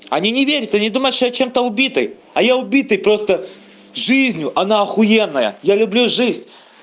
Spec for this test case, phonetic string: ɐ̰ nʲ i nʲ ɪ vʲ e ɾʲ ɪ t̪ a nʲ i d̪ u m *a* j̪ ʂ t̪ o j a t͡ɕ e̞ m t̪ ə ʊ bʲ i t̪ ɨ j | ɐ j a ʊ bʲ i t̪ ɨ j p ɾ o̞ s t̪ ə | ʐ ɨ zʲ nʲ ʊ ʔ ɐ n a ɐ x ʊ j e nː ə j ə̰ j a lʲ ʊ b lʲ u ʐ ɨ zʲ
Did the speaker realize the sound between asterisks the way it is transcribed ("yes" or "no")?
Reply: no